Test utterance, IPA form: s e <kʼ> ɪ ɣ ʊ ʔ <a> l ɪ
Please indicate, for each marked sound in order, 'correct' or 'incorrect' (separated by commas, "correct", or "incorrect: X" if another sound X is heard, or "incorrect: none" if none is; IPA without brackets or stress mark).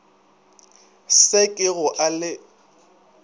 correct, correct